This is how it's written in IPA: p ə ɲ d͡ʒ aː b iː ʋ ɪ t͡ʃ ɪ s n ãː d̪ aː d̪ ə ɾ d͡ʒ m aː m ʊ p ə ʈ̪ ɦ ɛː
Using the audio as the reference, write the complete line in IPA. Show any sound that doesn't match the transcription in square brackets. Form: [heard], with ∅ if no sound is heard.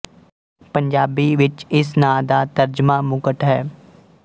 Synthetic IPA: p ə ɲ d͡ʒ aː b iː ʋ ɪ t͡ʃ ɪ s n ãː d̪ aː [t̪] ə ɾ d͡ʒ m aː m ʊ [k] ə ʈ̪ ɦ ɛː

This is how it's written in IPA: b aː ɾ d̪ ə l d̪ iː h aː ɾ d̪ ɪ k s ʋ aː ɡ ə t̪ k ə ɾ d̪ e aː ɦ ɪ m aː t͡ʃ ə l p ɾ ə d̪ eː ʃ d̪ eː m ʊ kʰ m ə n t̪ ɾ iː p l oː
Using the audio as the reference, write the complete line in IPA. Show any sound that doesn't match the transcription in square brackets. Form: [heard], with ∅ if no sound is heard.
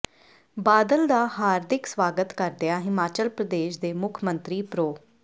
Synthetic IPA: b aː [∅] d̪ ə l d̪ [aː] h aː ɾ d̪ ɪ k s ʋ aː ɡ ə t̪ k ə ɾ d̪ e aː ɦ ɪ m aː t͡ʃ ə l p ɾ ə d̪ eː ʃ d̪ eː m ʊ kʰ m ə n t̪ ɾ iː p [ɾ] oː

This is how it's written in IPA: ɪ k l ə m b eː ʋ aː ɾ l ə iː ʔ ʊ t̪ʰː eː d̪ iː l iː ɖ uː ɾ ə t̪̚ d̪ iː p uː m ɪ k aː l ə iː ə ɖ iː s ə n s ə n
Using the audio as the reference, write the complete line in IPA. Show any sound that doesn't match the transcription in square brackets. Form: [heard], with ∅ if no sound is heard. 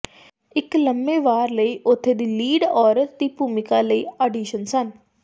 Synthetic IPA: ɪ k l ə m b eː ʋ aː ɾ l ə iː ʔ ʊ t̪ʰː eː d̪ iː l iː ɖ [ɔː] ɾ ə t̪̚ d̪ iː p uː m ɪ k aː l ə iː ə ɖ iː [ʃ] ə n s ə n

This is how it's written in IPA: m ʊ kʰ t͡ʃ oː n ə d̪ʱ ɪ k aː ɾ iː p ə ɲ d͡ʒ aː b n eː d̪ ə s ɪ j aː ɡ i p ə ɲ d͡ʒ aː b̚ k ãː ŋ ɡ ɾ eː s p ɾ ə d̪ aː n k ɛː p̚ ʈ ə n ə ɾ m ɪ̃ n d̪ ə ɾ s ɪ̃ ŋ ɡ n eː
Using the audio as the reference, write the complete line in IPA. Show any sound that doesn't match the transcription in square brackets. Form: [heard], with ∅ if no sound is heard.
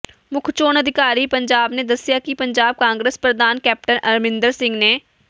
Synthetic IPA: m ʊ kʰ t͡ʃ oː n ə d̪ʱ ɪ k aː ɾ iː p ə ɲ d͡ʒ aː b n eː d̪ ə s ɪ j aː [k] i p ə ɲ d͡ʒ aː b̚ k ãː ŋ ɡ ɾ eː s p ɾ ə d̪ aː n k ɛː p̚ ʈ ə n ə ɾ m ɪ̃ n d̪ ə ɾ s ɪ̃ ŋ ɡ n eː

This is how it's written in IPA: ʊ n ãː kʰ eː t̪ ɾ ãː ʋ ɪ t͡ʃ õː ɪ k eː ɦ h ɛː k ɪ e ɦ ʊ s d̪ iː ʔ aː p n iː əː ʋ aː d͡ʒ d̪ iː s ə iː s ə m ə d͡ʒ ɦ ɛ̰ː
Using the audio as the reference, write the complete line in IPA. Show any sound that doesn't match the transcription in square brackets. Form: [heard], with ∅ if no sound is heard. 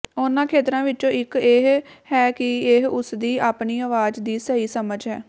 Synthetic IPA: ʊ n ãː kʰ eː t̪ ɾ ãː ʋ ɪ t͡ʃ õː ɪ k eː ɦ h ɛː k ɪ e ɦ ʊ s d̪ iː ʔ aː p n iː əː ʋ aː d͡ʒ d̪ iː s ə iː s ə m ə d͡ʒ ɦ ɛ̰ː

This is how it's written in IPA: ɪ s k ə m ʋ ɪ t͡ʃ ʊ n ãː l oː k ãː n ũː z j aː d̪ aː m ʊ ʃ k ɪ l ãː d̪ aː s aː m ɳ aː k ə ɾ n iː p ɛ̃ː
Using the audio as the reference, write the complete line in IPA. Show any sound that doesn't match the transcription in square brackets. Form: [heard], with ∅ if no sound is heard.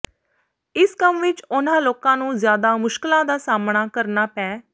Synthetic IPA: ɪ s k ə m ʋ ɪ t͡ʃ ʊ n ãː l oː k ãː n ũː z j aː d̪ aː m ʊ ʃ k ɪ l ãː d̪ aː s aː m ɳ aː k ə ɾ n [aː] p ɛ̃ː

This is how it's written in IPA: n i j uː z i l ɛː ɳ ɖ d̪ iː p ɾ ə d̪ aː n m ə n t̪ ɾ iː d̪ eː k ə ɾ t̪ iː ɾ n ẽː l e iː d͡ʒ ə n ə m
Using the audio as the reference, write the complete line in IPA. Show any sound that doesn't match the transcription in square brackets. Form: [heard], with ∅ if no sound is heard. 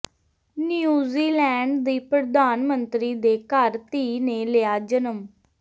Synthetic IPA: n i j uː z [iː] l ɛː ɳ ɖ d̪ iː p ɾ ə d̪ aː n m ə n t̪ ɾ iː d̪ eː k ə ɾ t̪ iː [∅] n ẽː l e [aː] d͡ʒ ə n ə m

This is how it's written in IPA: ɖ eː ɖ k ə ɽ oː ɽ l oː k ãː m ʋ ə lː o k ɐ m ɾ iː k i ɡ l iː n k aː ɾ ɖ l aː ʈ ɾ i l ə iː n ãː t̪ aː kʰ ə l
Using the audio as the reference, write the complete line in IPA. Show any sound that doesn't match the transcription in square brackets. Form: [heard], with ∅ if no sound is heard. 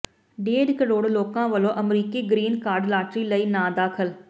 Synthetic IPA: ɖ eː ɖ k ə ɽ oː ɽ l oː k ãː [∅] ʋ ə [l] o [ʔ] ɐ m ɾ iː k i ɡ [ɾ] iː n k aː ɾ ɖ l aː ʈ ɾ i l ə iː n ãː [d̪] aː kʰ ə l

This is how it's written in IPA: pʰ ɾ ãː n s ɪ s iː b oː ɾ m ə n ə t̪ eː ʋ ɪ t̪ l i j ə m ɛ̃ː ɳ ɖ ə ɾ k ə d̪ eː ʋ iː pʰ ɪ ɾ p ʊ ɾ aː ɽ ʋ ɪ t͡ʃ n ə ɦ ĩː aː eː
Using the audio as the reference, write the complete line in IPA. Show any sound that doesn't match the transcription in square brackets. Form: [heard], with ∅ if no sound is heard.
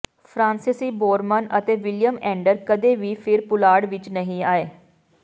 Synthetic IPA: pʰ ɾ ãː n s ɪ s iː b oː ɾ m ə n ə t̪ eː ʋ ɪ [∅] l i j ə m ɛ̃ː ɳ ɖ ə ɾ k ə d̪ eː ʋ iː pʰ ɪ ɾ p ʊ [l] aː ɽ ʋ ɪ t͡ʃ n ə ɦ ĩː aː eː

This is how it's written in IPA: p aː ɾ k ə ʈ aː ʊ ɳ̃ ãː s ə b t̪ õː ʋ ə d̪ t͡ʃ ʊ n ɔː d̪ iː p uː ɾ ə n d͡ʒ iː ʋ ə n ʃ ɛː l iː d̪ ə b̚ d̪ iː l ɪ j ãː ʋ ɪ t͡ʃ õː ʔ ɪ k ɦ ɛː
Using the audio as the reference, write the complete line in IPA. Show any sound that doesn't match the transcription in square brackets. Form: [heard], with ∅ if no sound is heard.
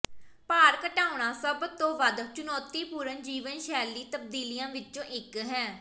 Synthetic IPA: p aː ɾ k ə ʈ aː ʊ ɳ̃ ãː s ə b t̪ õː ʋ ə d̪ t͡ʃ ʊ n ɔː [t̪] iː p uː ɾ ə n d͡ʒ iː ʋ ə n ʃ ɛː l iː [t̪] ə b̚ d̪ iː l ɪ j ãː ʋ ɪ t͡ʃ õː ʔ ɪ k ɦ ɛː

